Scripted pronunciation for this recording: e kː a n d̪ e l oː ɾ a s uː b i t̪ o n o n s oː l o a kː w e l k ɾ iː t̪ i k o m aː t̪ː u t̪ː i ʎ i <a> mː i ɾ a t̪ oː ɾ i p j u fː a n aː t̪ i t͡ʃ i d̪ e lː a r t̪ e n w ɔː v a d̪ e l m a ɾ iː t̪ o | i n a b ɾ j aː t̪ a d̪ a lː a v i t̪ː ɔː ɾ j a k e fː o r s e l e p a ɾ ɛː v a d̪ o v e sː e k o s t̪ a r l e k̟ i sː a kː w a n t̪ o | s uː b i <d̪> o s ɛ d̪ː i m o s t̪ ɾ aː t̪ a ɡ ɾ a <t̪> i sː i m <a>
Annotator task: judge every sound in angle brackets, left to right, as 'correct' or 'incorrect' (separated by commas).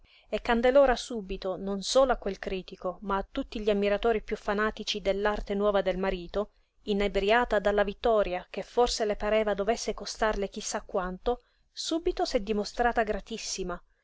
correct, incorrect, correct, correct